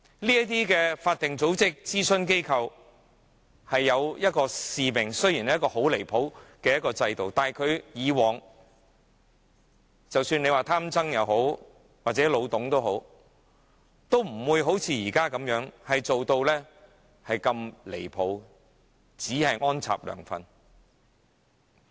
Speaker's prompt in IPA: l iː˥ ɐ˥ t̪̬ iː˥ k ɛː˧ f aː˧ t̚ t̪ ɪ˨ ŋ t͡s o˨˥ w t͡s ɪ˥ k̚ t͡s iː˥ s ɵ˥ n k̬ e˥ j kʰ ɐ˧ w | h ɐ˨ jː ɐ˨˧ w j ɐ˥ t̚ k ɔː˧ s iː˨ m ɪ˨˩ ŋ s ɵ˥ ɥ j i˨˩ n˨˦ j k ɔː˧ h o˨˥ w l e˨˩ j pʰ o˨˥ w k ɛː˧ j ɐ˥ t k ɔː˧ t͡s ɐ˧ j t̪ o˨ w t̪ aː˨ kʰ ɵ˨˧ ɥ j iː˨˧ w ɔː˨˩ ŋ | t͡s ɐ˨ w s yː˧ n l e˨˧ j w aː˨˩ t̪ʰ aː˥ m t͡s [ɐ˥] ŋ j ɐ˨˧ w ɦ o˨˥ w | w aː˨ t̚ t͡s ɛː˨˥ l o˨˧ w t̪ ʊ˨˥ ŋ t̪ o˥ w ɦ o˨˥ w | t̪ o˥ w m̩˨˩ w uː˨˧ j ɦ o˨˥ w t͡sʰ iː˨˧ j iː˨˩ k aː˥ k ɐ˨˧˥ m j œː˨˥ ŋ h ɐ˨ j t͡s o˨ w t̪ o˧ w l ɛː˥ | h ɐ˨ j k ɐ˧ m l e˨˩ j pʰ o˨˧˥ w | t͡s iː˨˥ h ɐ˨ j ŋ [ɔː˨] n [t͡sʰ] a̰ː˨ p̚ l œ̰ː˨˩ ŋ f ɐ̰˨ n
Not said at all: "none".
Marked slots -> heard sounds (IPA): ɐ˥, ɔː˥, t͡sʰ

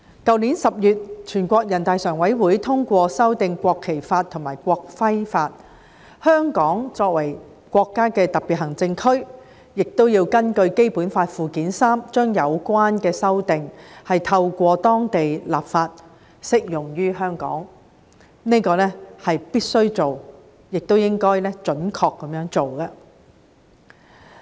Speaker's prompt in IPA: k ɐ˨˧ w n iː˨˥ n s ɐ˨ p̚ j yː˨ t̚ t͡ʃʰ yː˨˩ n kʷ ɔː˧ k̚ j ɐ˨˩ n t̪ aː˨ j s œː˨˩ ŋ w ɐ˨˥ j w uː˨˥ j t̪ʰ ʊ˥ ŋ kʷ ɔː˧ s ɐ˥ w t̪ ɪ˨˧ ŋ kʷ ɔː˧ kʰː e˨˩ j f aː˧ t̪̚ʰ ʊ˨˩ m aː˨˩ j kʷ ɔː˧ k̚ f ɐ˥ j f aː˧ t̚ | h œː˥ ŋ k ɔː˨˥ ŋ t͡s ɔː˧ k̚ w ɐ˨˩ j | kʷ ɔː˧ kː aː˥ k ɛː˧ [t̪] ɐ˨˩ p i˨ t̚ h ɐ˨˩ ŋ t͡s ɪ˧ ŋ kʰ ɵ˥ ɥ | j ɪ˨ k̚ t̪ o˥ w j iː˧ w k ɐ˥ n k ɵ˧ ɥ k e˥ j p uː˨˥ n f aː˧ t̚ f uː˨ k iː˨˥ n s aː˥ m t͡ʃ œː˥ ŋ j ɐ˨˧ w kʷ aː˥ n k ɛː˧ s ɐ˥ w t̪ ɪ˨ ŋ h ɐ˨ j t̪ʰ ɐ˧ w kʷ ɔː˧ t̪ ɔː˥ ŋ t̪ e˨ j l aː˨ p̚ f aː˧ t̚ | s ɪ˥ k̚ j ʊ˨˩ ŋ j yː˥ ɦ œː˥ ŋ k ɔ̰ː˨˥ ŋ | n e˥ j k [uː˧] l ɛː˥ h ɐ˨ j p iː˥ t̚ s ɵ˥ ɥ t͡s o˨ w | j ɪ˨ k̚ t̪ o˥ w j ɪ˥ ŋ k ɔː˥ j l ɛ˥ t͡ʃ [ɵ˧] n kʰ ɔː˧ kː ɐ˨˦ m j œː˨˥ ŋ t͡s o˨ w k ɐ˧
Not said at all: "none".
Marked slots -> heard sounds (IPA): t̪, ɔː˧, ɵ˨˥

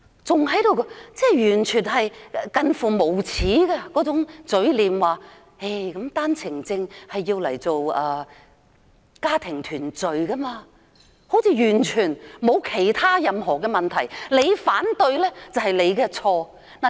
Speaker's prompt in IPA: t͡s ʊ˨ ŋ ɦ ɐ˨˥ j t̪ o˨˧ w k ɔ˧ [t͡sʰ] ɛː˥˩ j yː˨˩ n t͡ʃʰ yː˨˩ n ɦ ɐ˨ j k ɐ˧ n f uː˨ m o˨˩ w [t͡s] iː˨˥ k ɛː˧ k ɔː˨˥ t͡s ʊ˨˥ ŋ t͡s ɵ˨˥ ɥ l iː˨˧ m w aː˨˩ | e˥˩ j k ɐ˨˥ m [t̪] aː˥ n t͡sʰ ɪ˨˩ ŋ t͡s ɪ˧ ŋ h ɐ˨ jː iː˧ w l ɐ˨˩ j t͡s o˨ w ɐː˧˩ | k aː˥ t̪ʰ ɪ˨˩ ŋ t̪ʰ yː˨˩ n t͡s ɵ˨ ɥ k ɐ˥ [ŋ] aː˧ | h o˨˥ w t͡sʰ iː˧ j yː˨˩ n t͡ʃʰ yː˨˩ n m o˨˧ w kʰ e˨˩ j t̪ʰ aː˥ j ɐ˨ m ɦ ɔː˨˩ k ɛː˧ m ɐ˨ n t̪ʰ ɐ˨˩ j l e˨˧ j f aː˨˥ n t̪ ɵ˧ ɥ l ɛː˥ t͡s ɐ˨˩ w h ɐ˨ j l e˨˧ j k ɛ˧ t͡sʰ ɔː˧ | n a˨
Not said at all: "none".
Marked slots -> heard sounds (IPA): t͡s, t͡sʰ, t̪, m

